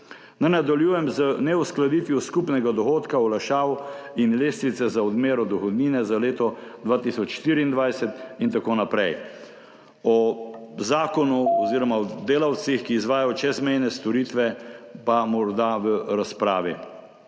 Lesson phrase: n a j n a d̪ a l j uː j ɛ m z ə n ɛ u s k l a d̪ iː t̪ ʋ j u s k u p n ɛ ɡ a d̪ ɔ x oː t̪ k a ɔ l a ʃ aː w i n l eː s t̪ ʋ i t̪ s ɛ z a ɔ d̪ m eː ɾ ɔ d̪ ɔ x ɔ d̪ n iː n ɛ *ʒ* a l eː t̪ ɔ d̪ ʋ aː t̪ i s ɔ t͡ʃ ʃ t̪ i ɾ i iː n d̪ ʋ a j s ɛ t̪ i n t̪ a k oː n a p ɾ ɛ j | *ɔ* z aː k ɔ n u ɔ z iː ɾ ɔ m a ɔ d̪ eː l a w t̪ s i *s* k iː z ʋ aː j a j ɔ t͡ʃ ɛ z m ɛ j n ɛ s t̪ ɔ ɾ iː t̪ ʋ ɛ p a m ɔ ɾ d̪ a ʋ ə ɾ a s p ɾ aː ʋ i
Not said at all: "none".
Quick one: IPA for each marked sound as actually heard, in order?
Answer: z, ɔ, x

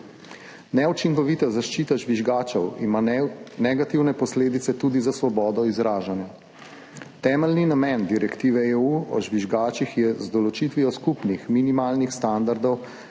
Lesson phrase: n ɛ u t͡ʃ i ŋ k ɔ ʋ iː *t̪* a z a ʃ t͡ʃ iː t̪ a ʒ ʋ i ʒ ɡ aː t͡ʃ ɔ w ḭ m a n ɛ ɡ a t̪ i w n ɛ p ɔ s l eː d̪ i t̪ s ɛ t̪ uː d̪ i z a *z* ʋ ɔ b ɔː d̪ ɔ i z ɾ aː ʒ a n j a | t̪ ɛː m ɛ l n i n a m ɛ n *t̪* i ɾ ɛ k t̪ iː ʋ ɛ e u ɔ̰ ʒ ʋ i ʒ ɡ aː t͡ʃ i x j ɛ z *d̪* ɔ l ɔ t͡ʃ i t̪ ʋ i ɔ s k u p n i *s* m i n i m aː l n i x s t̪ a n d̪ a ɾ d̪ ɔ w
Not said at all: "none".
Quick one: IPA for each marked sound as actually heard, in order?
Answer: t̪, s, d̪, d̪, x

